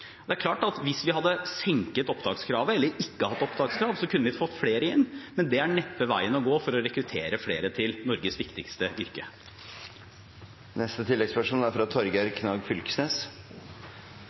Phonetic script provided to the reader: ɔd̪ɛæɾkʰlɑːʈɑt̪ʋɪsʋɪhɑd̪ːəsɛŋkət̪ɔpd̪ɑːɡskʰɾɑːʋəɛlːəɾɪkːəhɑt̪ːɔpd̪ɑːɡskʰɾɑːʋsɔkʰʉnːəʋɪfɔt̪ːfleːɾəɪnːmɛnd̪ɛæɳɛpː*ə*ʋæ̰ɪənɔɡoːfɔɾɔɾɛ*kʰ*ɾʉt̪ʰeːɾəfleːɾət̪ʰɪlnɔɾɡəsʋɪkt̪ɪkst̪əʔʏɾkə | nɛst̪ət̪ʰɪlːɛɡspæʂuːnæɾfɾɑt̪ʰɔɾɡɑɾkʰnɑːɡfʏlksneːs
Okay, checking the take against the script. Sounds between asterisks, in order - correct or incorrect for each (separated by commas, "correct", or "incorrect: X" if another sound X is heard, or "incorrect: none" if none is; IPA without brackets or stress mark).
correct, incorrect: k